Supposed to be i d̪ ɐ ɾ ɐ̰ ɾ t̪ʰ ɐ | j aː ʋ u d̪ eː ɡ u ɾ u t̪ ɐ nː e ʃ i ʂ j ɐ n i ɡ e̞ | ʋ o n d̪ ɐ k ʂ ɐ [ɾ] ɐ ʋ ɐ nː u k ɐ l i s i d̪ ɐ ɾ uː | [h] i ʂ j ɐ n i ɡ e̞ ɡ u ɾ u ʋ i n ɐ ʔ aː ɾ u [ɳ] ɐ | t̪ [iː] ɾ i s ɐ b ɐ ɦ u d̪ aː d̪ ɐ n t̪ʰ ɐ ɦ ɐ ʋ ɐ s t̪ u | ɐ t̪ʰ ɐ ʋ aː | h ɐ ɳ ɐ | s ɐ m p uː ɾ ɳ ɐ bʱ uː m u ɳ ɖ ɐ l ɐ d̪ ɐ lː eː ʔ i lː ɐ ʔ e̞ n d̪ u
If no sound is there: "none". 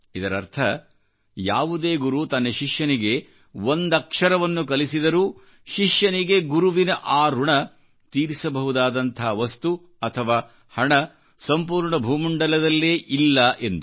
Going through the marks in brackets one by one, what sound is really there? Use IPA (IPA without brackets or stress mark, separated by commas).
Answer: ɾ, ʃ, ɳ, iː